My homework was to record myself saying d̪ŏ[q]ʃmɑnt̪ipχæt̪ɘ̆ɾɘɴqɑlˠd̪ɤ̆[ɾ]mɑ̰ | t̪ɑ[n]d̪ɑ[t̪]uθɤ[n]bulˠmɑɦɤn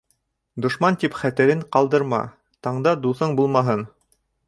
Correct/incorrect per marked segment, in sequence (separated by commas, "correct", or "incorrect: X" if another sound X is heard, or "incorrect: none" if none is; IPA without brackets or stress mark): incorrect: none, correct, incorrect: ɴ, incorrect: d̪, incorrect: ɴ